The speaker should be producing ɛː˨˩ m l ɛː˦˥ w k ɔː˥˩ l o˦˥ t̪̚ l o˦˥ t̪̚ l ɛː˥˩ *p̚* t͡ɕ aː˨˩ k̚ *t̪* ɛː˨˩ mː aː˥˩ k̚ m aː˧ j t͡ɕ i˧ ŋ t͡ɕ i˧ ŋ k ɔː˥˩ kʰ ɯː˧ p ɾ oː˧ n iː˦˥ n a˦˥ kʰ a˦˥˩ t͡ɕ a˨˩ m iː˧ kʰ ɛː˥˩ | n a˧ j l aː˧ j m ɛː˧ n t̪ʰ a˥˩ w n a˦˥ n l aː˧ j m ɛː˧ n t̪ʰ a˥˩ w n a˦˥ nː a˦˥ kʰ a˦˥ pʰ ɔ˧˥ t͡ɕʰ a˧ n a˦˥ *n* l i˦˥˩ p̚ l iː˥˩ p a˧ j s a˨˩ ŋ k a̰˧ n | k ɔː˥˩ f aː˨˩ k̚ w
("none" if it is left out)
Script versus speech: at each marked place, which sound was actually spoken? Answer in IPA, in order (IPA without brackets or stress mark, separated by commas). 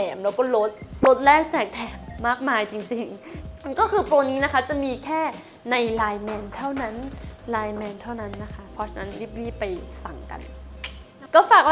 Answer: k̚, t̪ʰ, n